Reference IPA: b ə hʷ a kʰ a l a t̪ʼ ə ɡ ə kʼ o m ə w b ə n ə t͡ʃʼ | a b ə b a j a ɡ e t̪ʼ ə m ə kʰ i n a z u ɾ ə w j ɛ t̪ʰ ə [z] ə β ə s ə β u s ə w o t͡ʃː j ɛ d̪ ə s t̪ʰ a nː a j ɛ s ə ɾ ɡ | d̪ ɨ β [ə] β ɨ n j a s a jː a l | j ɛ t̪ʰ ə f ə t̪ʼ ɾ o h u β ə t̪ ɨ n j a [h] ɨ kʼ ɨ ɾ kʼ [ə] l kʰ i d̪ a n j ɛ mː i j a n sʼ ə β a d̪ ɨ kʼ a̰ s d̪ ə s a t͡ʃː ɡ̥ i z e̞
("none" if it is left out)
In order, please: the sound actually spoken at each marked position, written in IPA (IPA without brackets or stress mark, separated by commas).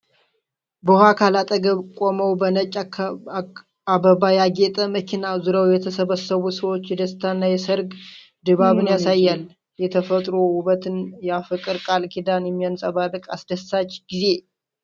s, a, f, a